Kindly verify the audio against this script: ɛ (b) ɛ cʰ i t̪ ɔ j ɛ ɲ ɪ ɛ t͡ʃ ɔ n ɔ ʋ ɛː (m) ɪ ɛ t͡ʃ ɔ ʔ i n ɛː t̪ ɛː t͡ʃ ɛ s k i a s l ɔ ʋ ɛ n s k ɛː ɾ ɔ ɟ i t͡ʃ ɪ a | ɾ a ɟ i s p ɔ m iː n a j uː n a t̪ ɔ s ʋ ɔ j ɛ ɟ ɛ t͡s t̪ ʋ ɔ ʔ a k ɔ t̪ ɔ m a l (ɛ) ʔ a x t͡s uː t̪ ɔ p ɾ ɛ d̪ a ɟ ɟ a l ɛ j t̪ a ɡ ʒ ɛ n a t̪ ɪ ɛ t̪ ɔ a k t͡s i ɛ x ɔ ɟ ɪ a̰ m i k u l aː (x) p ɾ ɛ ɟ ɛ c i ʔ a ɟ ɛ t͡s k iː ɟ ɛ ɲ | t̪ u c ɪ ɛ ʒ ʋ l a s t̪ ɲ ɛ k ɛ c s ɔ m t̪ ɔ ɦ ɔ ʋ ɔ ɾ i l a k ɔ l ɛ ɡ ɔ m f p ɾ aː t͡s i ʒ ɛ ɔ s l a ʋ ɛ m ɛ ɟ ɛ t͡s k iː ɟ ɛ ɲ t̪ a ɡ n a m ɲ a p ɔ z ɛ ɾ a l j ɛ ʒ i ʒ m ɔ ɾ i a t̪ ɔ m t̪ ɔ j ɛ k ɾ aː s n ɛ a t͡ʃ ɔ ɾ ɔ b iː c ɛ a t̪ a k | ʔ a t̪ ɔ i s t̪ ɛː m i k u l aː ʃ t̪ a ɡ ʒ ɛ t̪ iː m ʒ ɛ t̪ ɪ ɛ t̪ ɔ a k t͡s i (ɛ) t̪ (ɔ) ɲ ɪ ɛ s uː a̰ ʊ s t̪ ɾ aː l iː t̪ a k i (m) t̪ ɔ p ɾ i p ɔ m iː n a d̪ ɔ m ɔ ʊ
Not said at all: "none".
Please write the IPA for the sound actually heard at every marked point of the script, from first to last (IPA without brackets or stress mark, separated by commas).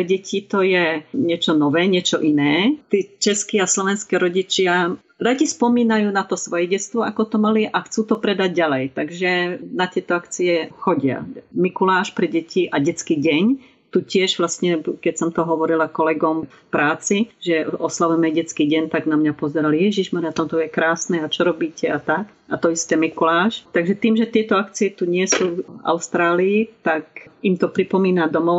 ɟ, ɲ, i, ʃ, ɛ, u, m